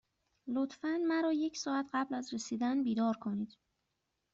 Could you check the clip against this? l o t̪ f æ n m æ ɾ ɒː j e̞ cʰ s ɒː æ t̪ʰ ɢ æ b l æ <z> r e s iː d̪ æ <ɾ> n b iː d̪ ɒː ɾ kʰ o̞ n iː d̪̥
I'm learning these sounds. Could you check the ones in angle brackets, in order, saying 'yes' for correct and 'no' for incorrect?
yes, no

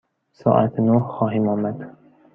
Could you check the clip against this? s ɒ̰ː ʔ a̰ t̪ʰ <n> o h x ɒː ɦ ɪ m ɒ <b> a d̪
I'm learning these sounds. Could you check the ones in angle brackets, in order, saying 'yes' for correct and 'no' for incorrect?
yes, no

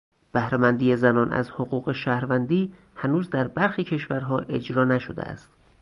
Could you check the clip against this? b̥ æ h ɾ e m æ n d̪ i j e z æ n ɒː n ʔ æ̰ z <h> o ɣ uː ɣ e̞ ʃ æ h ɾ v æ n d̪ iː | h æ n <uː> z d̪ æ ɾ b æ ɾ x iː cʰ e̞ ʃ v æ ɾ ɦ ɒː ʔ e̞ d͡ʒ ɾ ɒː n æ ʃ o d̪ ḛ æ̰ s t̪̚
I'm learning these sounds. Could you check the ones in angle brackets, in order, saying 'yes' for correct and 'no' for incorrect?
yes, yes

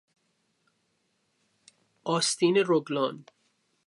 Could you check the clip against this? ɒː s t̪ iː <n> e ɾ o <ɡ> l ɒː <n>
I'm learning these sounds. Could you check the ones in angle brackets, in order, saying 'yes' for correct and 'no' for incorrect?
yes, yes, yes

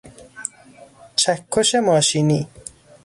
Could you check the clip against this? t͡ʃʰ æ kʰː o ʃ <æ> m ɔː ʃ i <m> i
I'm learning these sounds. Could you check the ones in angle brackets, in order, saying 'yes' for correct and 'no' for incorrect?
no, no

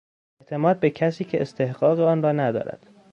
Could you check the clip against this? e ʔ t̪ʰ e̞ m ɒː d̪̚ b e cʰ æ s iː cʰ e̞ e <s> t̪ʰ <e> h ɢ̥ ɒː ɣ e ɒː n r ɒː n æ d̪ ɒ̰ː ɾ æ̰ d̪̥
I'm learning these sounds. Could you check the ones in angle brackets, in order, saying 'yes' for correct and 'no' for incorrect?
yes, yes

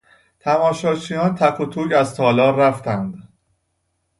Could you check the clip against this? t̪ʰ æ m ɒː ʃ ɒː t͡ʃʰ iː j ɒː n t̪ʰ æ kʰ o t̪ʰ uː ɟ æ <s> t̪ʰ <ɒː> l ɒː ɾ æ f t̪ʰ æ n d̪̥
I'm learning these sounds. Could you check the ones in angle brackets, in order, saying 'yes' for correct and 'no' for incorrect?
no, yes

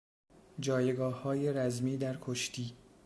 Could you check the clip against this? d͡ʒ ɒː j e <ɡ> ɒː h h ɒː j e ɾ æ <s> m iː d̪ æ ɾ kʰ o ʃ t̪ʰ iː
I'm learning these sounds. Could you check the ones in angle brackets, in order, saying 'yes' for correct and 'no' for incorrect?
yes, no

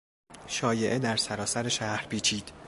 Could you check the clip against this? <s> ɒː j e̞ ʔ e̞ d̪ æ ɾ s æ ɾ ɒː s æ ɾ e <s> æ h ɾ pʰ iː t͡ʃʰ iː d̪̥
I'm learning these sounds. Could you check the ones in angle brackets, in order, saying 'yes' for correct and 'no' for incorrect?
no, no

